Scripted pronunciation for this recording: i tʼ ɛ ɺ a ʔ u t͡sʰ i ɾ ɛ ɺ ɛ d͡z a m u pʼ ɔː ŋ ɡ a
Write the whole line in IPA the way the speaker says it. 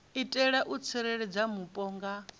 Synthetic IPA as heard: i tʼ ɛ ɺ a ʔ u t͡sʰ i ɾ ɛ ɺ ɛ d͡z a m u pʼ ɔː ŋ ɡ a